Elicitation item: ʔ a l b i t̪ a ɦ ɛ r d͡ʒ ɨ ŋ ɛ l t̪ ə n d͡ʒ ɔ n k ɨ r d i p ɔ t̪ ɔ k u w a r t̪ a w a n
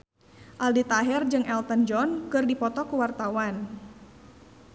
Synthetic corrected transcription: ʔ a l d i t̪ a ɦ ɛ r d͡ʒ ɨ ŋ ɛ l t̪ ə n d͡ʒ ɔ n k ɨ r d i p ɔ t̪ ɔ k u w a r t̪ a w a n